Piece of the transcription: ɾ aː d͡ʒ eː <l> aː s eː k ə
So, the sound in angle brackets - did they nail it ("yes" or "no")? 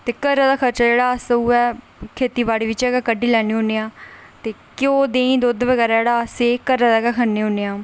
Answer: no